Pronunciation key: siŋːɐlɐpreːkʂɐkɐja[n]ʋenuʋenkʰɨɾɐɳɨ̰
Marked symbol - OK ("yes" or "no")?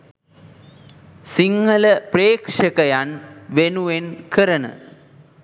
yes